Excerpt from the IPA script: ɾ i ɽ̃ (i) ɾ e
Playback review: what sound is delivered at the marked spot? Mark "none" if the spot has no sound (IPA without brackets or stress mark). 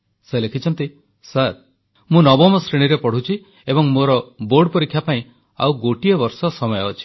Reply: i